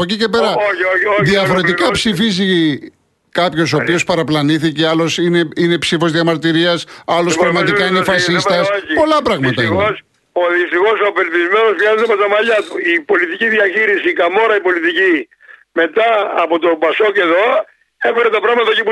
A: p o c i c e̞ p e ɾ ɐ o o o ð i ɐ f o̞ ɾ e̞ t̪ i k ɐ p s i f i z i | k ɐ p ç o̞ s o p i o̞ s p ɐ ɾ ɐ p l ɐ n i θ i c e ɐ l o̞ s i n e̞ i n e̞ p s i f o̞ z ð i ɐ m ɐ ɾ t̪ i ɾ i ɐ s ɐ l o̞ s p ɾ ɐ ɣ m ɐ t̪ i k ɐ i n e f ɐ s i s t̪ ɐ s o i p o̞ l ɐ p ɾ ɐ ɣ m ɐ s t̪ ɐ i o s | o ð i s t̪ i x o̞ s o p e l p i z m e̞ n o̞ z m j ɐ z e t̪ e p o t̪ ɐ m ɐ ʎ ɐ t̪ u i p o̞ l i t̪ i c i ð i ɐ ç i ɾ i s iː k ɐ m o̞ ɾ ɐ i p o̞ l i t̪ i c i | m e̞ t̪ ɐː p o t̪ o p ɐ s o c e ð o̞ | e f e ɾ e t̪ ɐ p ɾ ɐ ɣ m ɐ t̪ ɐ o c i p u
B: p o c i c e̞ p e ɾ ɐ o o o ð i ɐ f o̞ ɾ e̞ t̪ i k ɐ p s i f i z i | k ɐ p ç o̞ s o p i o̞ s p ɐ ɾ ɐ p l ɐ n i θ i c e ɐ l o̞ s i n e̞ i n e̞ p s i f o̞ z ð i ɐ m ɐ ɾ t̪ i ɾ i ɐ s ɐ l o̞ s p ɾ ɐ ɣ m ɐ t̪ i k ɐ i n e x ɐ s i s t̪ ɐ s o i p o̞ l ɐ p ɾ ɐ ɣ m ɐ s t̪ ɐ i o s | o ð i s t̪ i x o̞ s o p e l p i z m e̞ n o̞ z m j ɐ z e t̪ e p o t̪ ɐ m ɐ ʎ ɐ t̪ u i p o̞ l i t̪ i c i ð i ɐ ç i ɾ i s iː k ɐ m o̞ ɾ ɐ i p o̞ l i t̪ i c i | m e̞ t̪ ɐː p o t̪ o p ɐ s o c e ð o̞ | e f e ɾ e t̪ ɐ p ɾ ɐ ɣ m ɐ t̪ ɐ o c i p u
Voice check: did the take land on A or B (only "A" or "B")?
A